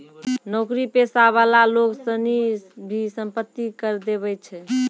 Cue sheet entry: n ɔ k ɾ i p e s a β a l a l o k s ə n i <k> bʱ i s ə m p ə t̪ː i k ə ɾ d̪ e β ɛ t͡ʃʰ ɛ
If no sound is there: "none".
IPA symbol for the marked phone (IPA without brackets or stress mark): none